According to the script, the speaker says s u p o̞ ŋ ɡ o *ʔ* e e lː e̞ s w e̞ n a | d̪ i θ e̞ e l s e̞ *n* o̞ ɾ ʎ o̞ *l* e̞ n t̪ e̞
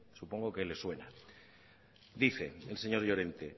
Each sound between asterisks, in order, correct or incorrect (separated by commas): incorrect, incorrect, incorrect